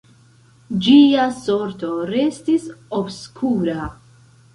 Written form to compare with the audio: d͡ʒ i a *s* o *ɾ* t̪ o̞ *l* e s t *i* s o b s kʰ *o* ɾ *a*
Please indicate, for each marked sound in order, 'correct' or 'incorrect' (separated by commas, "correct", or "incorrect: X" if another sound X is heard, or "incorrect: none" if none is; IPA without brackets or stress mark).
correct, correct, incorrect: ɾ, correct, incorrect: u, correct